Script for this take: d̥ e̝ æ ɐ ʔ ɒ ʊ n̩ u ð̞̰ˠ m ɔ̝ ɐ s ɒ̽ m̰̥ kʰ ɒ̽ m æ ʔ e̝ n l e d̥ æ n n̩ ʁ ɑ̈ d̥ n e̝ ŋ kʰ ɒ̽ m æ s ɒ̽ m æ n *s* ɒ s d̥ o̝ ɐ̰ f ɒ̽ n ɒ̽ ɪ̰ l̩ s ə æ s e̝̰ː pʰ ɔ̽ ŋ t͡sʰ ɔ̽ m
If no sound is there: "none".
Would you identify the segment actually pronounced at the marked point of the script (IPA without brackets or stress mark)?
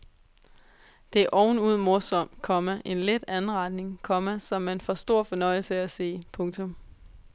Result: f